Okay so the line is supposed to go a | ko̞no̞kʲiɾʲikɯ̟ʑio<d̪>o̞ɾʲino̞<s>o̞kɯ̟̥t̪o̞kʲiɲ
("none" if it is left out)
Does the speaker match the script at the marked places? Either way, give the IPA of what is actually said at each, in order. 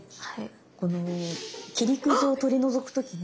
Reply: t̪, z

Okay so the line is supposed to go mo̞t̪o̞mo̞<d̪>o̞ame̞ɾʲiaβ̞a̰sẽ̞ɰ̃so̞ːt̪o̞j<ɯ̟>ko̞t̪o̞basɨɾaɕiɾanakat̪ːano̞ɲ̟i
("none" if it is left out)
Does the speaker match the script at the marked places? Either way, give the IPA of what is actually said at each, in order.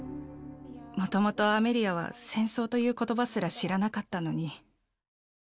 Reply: t̪, ɯ̟ː

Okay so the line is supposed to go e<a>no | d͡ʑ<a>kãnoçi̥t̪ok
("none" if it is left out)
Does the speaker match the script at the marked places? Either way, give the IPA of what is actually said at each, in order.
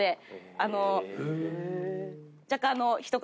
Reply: a, a

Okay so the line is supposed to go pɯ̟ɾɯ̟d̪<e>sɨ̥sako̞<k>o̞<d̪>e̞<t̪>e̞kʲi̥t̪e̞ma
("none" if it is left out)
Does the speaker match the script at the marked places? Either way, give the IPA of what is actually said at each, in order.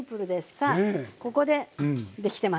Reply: e, k, d̪, d̪

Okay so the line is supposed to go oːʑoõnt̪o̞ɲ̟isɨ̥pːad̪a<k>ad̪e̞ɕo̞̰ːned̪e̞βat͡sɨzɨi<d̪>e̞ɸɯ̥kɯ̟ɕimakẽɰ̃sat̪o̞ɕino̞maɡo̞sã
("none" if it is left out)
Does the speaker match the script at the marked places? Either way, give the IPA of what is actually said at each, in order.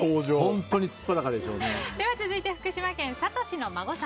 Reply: k, t̪

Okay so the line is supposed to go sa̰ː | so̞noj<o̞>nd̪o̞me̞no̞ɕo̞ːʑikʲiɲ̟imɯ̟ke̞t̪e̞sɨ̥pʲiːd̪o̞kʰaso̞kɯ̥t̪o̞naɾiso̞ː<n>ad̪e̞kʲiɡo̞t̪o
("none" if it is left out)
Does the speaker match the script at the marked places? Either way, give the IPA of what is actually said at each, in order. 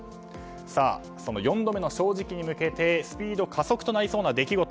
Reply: õ̞, n

